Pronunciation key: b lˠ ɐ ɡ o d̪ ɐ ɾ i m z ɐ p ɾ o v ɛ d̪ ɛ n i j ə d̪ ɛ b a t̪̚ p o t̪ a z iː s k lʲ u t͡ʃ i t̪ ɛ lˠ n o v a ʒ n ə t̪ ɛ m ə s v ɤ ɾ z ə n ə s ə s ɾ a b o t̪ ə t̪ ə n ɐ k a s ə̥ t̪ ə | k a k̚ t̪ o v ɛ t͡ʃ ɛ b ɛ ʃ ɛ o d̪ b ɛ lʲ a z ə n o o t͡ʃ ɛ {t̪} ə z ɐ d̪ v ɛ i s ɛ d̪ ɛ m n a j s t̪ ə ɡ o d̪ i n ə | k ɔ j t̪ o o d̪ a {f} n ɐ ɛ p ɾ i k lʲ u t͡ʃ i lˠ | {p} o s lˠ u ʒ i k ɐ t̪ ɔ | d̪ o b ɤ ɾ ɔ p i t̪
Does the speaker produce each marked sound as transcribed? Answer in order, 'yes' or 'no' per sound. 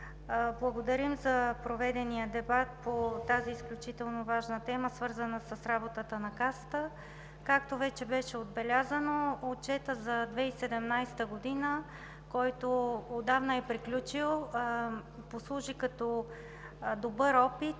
yes, no, yes

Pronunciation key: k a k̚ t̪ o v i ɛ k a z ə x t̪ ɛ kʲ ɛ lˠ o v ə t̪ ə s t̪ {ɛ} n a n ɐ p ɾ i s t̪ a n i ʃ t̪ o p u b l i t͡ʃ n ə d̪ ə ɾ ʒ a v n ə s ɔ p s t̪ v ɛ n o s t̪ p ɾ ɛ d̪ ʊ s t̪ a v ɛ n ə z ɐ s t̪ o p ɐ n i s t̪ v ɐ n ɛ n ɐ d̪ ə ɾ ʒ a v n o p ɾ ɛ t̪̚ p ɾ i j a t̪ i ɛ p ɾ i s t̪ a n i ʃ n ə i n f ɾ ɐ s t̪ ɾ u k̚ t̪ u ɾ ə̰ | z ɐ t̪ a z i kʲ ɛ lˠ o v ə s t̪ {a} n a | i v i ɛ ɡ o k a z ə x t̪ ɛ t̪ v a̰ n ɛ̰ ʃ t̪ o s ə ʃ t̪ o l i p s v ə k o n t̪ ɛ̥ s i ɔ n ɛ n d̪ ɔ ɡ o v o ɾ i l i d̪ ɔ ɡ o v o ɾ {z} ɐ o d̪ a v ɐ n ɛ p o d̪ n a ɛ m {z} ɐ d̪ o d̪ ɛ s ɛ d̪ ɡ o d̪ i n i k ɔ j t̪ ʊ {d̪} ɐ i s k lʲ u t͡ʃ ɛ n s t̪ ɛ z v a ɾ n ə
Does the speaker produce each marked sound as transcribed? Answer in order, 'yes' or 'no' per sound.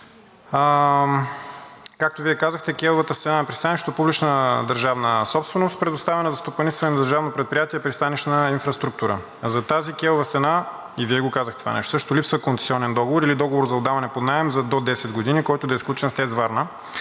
yes, no, yes, yes, yes

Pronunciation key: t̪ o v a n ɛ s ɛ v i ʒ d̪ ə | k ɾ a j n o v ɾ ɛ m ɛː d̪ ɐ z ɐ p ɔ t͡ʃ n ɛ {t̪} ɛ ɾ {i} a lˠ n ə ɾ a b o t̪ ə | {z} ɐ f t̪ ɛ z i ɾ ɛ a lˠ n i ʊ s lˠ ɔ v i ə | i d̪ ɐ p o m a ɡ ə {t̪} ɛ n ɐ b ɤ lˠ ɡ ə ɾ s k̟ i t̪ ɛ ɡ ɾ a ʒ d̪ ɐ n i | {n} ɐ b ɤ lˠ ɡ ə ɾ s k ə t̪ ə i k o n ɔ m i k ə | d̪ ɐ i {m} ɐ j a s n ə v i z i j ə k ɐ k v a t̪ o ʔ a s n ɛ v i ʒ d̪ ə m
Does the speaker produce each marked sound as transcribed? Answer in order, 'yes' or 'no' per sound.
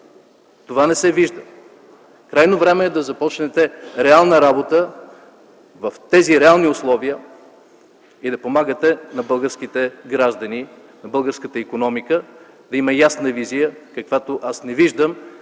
yes, no, no, yes, yes, yes

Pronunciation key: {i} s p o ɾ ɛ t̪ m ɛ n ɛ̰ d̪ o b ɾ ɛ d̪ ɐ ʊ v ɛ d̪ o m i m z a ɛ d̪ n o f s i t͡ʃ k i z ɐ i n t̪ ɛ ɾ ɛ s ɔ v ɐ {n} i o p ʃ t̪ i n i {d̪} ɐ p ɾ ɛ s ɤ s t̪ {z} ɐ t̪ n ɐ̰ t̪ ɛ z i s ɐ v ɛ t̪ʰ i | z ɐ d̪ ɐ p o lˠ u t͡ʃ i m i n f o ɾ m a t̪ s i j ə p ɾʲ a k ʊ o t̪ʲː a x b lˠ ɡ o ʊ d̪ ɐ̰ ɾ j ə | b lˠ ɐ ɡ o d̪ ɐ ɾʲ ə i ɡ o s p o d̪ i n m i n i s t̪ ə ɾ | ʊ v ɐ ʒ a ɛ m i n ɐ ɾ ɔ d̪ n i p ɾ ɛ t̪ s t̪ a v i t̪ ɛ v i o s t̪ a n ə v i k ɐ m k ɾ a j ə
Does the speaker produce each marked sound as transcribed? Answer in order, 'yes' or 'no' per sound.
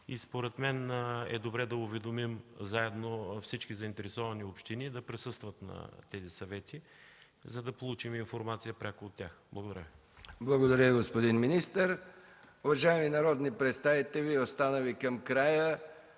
yes, yes, yes, no

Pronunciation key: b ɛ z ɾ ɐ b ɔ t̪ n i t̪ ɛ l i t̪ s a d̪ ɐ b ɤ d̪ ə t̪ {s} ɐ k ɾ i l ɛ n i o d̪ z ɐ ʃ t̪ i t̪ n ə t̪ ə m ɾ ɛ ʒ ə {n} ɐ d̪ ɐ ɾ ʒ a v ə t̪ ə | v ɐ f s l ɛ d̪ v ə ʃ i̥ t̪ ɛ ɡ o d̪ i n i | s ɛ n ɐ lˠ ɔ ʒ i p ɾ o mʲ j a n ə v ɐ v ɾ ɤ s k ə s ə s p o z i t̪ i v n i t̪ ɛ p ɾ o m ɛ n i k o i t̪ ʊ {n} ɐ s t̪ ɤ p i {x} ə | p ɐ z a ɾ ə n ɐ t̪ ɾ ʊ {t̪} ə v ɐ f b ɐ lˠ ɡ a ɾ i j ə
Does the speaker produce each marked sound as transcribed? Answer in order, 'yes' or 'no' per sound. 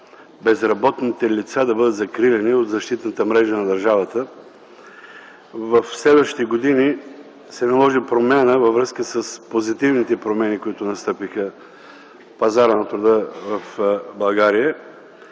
no, yes, yes, yes, no

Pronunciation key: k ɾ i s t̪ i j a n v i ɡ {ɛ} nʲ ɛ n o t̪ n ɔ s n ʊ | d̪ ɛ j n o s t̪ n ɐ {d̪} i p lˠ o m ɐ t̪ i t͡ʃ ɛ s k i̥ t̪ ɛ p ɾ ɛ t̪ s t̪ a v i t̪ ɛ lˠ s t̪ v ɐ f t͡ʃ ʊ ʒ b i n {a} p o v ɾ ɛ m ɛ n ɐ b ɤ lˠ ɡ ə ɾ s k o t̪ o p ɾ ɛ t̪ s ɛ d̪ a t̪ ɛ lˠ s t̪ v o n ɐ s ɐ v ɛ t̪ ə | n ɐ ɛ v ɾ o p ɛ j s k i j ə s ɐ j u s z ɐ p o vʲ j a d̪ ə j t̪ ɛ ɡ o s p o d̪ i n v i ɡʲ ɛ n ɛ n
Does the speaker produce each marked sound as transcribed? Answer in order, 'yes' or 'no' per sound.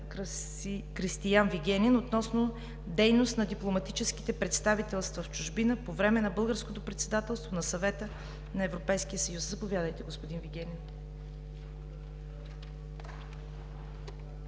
yes, yes, no

